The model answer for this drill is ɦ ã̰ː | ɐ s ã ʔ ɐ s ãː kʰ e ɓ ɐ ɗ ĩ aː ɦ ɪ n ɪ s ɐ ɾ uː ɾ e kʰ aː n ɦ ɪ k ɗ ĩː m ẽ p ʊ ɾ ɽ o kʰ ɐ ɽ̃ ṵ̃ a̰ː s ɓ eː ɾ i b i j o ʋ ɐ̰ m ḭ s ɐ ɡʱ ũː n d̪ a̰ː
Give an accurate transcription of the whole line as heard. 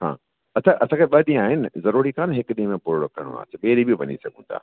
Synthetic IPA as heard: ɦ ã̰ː | ɐ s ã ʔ ɐ s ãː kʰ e ɓ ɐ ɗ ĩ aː ɦ ɪ n ɪ z ɐ ɾ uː ɾ i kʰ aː n ɦ ɪ k ɗ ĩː m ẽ p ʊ ɾ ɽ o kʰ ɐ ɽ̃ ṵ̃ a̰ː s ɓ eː ɾ i b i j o ʋ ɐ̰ ɲ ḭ s ɐ ɡʱ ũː n d̪ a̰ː